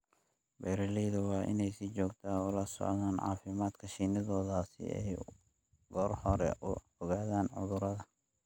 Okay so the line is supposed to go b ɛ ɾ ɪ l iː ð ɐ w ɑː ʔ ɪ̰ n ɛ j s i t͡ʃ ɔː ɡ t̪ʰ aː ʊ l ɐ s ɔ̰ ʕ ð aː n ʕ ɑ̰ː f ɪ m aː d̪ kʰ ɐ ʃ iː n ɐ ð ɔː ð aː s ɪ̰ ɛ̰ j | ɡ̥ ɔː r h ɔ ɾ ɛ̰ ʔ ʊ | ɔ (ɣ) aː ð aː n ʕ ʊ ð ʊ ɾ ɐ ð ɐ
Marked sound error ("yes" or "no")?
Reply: no